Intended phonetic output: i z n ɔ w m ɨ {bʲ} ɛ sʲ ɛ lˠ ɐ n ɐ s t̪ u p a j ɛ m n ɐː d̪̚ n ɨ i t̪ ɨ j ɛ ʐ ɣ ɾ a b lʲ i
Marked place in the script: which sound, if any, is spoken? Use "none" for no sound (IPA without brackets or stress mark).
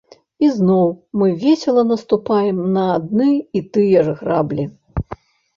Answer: vʲ